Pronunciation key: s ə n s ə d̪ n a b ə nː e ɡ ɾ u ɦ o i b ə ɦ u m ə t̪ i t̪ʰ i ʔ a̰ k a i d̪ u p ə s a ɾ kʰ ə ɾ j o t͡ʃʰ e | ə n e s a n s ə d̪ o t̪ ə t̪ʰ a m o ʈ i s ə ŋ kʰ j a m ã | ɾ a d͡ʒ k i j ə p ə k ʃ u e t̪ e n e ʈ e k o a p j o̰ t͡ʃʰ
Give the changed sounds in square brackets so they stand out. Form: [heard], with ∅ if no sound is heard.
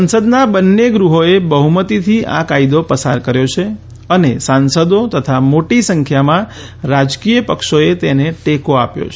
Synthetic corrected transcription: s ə n s ə d̪ n a b ə nː e ɡ ɾ u ɦ o [e] b ə ɦ u m ə t̪ i t̪ʰ i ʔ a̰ k a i d̪ [o] p ə s a ɾ [k] ə ɾ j o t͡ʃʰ e | ə n e s a n s ə d̪ o t̪ ə t̪ʰ a m o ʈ i s ə ŋ kʰ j a m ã | ɾ a d͡ʒ k i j ə p ə k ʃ [o] e t̪ e n e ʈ e k o a p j o̰ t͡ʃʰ